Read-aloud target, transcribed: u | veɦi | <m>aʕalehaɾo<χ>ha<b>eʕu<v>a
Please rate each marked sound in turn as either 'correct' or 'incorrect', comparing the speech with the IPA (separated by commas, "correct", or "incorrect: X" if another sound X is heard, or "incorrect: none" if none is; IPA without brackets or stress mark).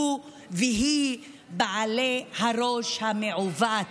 incorrect: b, incorrect: ʃ, incorrect: m, correct